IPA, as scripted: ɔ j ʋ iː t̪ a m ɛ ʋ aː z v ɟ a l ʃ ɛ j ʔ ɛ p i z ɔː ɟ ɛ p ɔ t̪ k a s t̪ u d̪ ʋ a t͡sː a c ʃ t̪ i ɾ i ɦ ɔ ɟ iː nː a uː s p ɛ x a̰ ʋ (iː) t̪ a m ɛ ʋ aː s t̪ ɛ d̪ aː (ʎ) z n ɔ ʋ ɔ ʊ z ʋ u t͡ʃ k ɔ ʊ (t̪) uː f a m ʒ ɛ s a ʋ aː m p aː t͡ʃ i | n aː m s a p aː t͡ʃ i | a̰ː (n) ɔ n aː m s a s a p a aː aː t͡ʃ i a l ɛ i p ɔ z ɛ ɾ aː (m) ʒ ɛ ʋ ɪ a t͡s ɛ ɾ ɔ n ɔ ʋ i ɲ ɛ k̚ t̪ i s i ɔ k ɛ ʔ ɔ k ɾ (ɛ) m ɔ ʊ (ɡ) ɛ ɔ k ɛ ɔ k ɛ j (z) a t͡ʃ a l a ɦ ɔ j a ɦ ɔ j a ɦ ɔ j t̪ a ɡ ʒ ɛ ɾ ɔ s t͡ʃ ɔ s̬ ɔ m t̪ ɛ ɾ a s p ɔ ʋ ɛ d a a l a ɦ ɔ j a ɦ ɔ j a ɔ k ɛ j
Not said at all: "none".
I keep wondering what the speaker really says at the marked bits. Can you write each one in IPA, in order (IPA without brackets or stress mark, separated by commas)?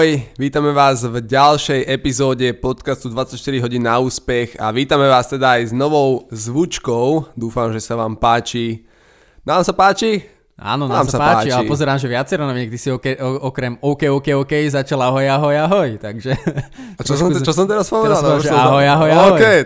iː, j, d̪, n, m, ɛ, k, z